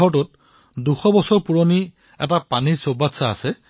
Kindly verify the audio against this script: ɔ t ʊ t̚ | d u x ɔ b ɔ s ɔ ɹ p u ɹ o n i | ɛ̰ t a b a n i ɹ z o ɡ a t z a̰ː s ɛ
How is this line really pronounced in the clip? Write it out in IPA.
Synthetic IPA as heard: ɔ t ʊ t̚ | d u x ɔ b ɔ s ɔ ɹ p u ɹ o n i | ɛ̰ t a p a n i ɹ s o b a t s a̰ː s ɛ